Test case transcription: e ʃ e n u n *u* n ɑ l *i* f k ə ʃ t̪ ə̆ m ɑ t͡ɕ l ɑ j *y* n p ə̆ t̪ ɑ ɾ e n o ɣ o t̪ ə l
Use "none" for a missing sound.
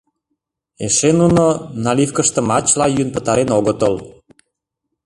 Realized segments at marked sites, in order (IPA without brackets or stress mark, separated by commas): o, i, y